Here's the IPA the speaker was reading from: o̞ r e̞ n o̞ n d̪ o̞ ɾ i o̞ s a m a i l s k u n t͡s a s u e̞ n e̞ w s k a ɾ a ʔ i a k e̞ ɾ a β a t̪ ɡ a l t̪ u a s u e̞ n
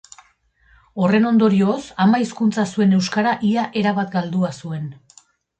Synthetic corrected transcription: o̞ r e̞ n o̞ n d̪ o̞ ɾ i o̞ s a m a i s k u n t͡s a s u e̞ n e̞ w s k a ɾ a ʔ i a ʔ e̞ ɾ a β a t̪ ɡ a l d̪ u a s u e̞ n